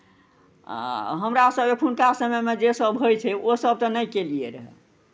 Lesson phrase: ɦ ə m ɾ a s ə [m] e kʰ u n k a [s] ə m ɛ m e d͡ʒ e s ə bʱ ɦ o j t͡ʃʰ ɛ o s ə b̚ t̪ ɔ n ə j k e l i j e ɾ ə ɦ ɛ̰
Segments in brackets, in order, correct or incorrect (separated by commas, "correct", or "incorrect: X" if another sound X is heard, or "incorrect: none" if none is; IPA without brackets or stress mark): incorrect: b, correct